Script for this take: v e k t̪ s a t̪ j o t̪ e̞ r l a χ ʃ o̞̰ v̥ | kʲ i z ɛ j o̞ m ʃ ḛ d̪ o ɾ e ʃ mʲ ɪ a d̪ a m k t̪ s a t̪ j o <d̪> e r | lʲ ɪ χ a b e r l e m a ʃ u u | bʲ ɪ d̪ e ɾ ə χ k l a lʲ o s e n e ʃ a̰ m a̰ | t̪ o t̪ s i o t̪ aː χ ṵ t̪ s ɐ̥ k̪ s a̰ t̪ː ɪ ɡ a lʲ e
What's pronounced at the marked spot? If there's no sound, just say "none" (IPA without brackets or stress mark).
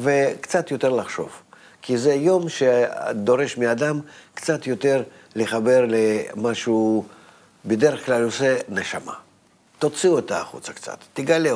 t̪